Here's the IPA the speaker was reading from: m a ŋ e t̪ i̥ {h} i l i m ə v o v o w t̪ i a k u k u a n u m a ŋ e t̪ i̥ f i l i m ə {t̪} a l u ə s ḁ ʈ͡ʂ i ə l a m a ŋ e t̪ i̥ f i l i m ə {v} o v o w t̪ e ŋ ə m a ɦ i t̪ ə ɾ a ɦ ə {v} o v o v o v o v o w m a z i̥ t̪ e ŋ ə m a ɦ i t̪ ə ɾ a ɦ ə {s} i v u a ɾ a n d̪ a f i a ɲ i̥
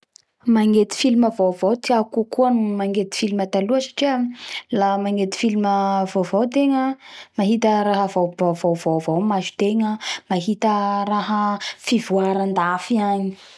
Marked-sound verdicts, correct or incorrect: incorrect: f, correct, correct, correct, incorrect: f

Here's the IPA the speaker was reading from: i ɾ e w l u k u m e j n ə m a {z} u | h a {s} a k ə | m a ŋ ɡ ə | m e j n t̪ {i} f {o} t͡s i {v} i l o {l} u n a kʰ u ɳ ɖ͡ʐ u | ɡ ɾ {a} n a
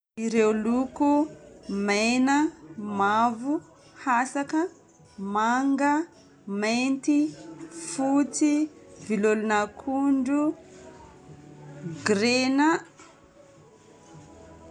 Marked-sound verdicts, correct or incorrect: incorrect: v, correct, correct, incorrect: u, correct, correct, incorrect: e

